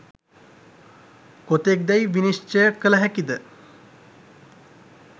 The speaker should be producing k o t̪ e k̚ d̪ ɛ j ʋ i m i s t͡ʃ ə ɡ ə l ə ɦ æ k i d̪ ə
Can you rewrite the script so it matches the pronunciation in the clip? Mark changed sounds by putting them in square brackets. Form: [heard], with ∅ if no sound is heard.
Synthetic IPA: k o t̪ e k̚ d̪ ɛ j ʋ i [n] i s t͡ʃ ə [k] ə l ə ɦ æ k i d̪ ə